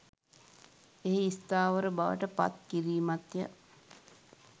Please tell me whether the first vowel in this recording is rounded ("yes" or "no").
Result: no